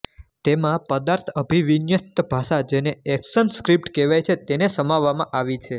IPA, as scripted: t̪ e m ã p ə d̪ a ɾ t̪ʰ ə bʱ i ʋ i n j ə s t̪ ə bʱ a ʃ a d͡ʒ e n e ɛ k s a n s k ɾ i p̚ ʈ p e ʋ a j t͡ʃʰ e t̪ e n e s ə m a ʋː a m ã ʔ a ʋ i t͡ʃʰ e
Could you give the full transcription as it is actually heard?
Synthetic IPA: t̪ e m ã p ə d̪ a ɾ t̪ʰ ə bʱ i ʋ i n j ə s t̪ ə bʱ a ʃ a d͡ʒ e n e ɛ k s ə n s k ɾ i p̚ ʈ k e ʋ a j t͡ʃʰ e t̪ e n e s ə m a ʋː a m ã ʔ a ʋ i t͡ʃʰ e